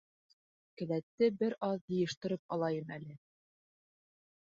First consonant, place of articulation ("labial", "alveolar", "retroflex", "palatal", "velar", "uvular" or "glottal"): velar